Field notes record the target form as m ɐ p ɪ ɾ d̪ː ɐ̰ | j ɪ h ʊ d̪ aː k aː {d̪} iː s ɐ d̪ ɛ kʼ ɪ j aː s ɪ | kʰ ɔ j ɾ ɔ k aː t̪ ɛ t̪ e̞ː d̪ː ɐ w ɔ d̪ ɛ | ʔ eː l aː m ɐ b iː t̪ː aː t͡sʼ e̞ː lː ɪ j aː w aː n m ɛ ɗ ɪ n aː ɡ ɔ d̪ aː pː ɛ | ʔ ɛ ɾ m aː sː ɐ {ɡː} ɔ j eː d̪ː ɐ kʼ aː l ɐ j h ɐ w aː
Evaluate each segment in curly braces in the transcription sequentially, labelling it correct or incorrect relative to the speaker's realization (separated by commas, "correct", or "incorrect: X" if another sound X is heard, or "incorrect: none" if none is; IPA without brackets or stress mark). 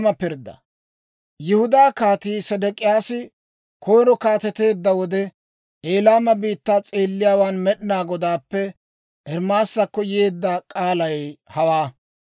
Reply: incorrect: t̪, incorrect: kː